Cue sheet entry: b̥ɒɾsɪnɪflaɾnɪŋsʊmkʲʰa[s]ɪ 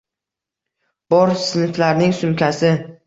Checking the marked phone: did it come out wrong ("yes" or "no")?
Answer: no